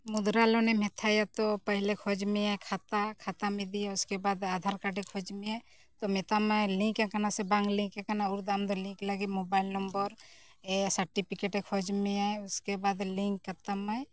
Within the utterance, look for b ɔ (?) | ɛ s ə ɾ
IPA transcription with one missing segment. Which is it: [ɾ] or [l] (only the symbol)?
ɾ